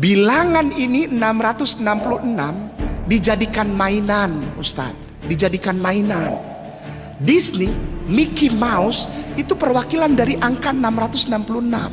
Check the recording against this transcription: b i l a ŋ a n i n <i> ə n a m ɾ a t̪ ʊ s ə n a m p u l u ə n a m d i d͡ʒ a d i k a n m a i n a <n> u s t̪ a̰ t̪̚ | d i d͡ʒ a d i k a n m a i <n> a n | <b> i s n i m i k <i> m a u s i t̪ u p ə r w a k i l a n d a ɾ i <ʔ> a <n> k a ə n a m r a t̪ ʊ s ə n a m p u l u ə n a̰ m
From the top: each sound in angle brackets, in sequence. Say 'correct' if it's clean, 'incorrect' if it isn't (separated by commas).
correct, correct, correct, incorrect, correct, correct, incorrect